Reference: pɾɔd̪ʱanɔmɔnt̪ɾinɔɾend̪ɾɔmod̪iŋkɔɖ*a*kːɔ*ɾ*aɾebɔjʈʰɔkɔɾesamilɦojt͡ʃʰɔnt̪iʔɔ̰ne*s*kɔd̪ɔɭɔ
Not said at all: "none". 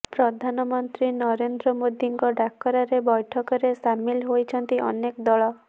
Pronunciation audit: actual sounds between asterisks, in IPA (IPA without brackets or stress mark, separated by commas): a, ɾ, none